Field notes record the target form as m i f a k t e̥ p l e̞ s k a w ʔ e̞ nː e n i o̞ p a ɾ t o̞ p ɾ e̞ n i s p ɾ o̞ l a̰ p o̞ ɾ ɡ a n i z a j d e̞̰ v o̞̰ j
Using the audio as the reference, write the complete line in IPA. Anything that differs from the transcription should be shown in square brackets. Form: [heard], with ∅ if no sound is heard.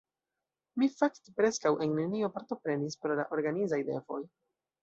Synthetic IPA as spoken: m i f a k t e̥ p [ɾ] e̞ s k a w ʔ e̞ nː e n i o̞ p a ɾ t o̞ p ɾ e̞ n i s p ɾ o̞ l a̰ [ʔ] o̞ ɾ ɡ a n i z a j d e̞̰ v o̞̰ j